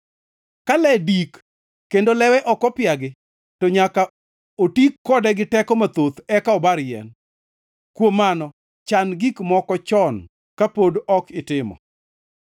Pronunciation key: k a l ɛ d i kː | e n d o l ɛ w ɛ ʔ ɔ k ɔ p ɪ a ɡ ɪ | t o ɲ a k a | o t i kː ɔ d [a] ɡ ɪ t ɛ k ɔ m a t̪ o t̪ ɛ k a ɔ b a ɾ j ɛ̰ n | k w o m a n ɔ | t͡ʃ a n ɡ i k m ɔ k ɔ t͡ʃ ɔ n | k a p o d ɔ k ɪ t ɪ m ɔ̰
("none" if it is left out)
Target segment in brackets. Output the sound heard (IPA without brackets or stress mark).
ɛ